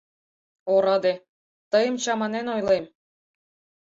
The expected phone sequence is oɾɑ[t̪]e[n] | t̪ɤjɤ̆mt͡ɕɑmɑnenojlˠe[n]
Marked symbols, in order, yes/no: no, no, no

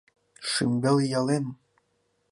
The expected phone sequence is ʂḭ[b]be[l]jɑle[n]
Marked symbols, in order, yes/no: no, yes, yes

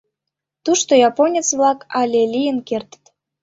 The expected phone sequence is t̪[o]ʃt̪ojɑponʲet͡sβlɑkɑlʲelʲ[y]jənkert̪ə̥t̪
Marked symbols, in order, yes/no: no, no

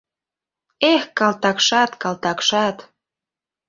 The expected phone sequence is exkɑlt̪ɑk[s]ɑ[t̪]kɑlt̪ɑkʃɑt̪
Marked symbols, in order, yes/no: no, yes

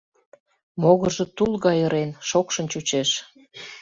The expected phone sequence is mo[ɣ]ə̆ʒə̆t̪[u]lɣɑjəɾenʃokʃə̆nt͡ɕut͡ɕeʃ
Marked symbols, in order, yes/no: yes, yes

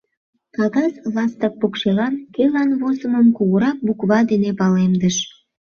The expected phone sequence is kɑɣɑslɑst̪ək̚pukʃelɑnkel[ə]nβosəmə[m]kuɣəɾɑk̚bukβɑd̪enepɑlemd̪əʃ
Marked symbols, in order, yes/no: no, yes

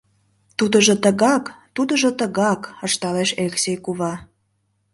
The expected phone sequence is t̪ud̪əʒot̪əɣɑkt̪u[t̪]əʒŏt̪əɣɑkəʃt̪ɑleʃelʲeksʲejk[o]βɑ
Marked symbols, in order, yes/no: no, no

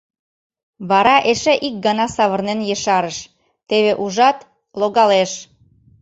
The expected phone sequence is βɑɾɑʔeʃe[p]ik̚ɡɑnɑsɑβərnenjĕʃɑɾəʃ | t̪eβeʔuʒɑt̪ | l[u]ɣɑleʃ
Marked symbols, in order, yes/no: no, no

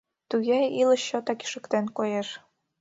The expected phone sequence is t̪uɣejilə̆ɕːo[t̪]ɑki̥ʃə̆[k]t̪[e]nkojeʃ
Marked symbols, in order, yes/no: yes, yes, yes

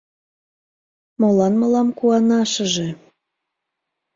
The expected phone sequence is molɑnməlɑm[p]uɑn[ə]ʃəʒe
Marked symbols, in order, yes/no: no, no

